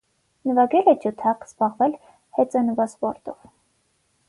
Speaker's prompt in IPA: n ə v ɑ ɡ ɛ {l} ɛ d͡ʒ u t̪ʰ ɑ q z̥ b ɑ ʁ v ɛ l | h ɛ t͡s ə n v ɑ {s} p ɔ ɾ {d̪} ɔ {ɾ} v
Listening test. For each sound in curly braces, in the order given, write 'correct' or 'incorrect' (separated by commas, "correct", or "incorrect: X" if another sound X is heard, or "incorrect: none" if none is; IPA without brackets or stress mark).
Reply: correct, correct, incorrect: t̪, incorrect: none